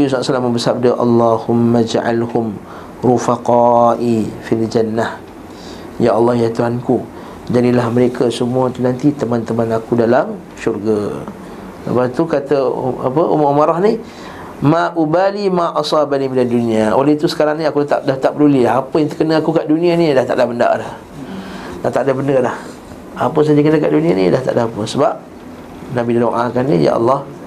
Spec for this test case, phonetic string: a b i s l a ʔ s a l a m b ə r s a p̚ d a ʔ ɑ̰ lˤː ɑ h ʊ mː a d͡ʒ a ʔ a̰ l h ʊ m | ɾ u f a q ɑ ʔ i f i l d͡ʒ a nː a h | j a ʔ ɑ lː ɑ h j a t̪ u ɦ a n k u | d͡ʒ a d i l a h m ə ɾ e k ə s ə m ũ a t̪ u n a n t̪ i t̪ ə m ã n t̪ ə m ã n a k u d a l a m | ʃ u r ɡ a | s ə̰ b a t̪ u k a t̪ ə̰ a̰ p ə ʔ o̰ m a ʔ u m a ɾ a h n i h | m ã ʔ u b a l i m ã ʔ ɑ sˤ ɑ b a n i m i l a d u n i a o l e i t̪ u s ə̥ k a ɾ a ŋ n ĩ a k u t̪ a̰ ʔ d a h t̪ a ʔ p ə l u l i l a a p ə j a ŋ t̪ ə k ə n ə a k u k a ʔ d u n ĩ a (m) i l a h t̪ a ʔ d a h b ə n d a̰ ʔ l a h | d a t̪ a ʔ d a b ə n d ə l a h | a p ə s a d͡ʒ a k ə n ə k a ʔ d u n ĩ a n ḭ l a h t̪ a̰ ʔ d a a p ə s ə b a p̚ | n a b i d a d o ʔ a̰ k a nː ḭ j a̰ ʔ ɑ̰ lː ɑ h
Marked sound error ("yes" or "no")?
yes